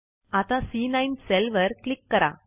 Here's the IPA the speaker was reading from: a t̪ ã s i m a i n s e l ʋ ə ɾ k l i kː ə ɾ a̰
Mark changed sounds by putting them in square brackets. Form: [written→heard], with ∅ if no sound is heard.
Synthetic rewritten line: a t̪ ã s i [m→n] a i n s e l ʋ ə ɾ k l i kː ə ɾ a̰